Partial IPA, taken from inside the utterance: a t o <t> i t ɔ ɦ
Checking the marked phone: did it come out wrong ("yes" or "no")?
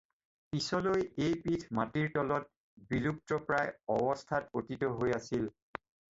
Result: no